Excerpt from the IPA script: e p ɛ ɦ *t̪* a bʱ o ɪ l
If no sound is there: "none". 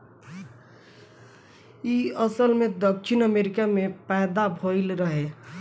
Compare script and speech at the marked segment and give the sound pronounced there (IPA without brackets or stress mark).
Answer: d̪